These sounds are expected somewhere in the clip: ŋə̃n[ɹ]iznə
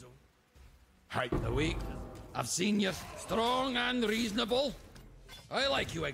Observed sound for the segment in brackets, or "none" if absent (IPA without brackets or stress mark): ɹ